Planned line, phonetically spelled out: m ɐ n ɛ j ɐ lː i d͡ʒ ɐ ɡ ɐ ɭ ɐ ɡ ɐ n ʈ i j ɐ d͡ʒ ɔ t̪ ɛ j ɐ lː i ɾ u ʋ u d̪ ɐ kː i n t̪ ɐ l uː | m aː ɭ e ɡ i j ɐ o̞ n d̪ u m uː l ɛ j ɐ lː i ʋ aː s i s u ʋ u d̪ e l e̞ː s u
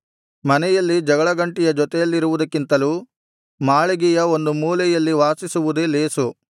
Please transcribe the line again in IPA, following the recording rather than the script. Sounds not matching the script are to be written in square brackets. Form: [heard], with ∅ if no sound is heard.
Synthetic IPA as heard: m ɐ n ɛ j ɐ lː i d͡ʒ ɐ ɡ ɐ ɭ ɐ ɡ ɐ [ɳ] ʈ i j ɐ d͡ʒ ɔ t̪ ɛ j ɐ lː i ɾ u ʋ u d̪ ɐ kː i n t̪ ɐ l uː | m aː ɭ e ɡ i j ɐ o̞ n d̪ u m uː l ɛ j ɐ lː i ʋ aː s i s u ʋ u d̪ e l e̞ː s u